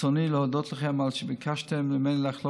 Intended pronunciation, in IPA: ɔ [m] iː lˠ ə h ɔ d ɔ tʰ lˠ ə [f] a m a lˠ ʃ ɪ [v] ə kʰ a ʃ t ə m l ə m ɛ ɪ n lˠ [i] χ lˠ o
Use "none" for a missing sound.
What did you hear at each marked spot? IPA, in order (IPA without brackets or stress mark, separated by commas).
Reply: n, χ, b, a